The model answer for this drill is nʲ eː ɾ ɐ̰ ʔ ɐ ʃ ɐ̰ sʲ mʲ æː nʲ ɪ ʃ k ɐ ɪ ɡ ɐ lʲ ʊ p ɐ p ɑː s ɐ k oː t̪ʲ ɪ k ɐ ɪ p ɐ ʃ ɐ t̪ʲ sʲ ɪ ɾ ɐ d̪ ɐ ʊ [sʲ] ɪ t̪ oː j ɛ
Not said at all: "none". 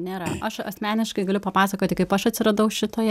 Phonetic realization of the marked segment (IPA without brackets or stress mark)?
ʃʲ